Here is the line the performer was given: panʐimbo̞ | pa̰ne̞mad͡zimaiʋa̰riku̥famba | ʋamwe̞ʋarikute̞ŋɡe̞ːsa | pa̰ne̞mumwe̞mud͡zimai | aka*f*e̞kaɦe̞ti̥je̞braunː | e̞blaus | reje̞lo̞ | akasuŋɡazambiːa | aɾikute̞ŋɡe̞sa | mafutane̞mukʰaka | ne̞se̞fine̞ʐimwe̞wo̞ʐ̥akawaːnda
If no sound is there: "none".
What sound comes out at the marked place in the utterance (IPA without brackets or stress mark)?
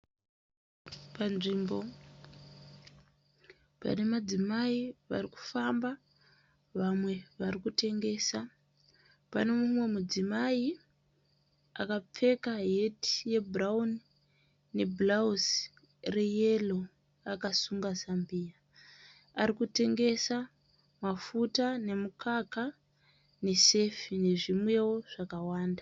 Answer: p͡f